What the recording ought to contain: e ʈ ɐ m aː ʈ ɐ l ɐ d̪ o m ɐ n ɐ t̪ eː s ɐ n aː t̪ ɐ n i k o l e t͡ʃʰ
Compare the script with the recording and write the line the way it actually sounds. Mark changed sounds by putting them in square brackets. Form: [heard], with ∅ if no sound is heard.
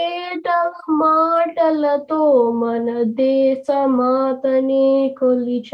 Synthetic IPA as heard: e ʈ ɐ m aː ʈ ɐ l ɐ [t̪] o m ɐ n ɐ [d̪] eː s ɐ [m] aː t̪ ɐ n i k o l [i] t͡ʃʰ